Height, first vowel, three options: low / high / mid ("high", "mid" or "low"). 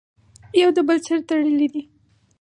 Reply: low